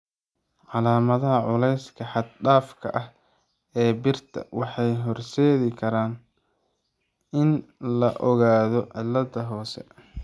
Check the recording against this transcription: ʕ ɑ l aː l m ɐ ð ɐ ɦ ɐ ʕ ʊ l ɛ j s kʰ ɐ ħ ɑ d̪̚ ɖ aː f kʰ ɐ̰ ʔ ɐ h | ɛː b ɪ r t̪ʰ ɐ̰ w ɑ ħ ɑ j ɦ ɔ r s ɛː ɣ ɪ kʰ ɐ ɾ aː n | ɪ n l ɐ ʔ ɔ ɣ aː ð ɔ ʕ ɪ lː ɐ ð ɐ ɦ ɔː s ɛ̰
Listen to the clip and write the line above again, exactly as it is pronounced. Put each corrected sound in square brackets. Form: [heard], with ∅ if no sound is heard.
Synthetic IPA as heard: ʕ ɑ l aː [∅] m ɐ ð ɐ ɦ ɐ ʕ ʊ l ɛ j s kʰ ɐ ħ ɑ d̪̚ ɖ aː f kʰ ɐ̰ ʔ ɐ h | ɛː b ɪ r t̪ʰ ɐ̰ w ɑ ħ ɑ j ɦ ɔ r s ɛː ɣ ɪ kʰ ɐ ɾ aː n | ɪ n l ɐ ʔ ɔ ɣ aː ð ɔ ʕ ɪ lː ɐ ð ɐ ɦ ɔː s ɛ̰